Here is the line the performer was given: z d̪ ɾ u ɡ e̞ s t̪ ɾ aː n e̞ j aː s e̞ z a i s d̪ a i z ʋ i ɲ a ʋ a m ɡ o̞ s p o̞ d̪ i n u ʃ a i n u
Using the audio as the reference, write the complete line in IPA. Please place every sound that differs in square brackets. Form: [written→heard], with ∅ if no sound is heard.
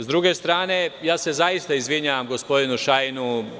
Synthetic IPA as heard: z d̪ ɾ u ɡ e̞ s t̪ ɾ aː n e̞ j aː s e̞ z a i s [d̪→t̪] a i z ʋ i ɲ a ʋ a m ɡ o̞ s p o̞ d̪ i n u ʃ a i n u